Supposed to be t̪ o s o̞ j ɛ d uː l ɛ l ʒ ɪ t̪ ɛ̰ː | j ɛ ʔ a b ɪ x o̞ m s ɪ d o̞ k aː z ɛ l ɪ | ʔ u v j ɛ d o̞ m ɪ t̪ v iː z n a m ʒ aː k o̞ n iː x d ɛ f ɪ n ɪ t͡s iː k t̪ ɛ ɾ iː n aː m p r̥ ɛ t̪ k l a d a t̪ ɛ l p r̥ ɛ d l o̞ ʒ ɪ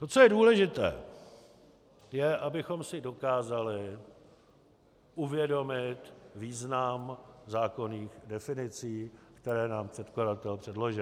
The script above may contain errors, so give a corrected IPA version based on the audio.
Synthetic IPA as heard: t̪ o t͡s o̞ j ɛ d uː l ɛ ʒ ɪ t̪ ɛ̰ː | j ɛ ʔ a b ɪ x o̞ m s ɪ d o̞ k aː z a l ɪ | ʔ u v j ɛ d o̞ m ɪ t̪ v iː z n a m z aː k o̞ n iː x d ɛ f ɪ n ɪ t͡s iː k t̪ ɛ ɾ ɛː n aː m p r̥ ɛ t̪ k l a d a t̪ ɛ l p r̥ ɛ d l o̞ ʒ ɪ